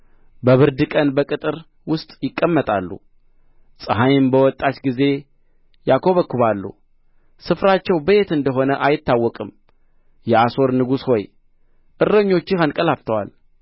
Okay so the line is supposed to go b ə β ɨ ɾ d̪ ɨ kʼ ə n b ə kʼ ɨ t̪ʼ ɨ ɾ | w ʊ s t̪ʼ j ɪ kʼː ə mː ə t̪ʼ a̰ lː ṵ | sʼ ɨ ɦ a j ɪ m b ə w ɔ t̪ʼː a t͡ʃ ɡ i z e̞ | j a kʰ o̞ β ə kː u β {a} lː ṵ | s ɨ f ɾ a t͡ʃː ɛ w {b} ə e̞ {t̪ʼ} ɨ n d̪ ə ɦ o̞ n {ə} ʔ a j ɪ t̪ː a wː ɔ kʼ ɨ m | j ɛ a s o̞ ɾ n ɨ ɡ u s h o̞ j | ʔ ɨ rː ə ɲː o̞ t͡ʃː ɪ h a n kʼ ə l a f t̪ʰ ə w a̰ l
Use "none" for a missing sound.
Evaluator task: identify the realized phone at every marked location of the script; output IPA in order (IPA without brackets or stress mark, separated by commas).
a, b, t̪, ə